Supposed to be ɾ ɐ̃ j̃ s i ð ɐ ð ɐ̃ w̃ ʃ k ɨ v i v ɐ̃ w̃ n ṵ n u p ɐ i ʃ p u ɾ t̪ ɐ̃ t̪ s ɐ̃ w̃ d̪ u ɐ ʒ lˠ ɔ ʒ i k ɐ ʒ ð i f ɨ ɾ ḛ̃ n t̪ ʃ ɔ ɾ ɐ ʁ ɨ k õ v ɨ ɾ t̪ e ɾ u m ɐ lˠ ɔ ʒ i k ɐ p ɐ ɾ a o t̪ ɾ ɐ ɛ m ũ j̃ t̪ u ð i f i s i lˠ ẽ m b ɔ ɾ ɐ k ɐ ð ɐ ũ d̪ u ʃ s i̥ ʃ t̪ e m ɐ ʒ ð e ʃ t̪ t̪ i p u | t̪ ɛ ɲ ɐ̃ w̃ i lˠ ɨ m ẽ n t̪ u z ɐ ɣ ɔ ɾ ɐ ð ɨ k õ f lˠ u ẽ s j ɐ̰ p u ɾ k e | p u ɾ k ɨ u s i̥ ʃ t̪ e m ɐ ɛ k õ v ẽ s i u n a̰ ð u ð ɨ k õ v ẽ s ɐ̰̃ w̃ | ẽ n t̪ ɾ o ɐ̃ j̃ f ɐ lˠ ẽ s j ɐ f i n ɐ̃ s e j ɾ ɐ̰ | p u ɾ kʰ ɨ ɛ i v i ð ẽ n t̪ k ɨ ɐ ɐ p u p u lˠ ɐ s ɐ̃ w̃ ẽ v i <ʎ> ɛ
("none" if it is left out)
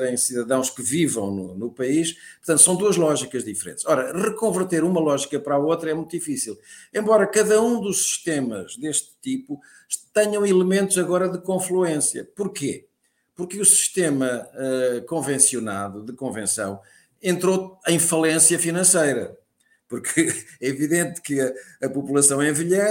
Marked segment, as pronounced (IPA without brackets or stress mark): ʎ